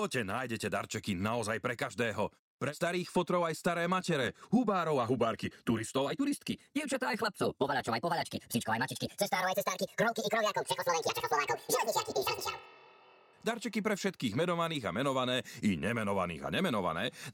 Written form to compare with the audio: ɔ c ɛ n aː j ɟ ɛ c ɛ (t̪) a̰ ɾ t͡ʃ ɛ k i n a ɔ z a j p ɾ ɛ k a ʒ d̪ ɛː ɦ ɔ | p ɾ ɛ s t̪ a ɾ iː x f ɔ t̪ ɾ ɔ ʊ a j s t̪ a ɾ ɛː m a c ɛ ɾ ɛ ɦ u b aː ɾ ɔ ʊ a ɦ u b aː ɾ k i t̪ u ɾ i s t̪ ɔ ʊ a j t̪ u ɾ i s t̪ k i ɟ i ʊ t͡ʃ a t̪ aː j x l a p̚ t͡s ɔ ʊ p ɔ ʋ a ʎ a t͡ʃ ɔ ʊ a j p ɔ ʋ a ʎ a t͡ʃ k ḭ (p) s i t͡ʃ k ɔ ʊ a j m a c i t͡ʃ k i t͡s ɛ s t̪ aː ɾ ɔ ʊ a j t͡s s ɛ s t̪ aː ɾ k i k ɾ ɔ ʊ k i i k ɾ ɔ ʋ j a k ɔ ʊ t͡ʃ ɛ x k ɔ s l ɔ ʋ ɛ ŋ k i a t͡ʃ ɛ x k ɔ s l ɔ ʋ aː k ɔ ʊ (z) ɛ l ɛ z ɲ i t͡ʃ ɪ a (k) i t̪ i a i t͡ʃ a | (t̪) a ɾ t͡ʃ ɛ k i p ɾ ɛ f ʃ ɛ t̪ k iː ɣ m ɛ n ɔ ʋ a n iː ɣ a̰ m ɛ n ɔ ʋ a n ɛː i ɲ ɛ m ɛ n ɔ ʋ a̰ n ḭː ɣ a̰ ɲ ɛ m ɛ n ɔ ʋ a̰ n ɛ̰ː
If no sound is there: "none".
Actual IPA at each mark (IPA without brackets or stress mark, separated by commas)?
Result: d̪, p, ʒ, k, d̪